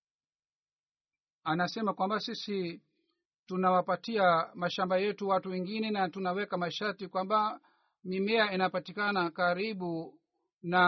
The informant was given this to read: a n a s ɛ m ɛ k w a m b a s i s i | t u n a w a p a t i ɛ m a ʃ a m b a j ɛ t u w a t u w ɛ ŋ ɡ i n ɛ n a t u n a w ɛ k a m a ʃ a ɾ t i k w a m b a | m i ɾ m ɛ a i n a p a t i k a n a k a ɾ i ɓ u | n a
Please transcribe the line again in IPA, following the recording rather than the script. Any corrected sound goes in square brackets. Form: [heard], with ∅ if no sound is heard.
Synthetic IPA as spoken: a n a s ɛ m [a] k w a m b a s i s i | t u n a w a p a t i [a] m a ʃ a m b a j ɛ t u w a t u w ɛ ŋ ɡ i n ɛ n a t u n a w ɛ k a m a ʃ a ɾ t i k w a m b a | m i [∅] m ɛ a i n a p a t i k a n a k a ɾ i ɓ u | n a